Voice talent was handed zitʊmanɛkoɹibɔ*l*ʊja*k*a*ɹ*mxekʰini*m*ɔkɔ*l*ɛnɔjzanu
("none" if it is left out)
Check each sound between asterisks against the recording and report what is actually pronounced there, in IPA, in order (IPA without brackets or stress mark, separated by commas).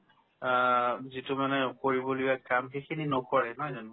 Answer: l, k, none, n, ɹ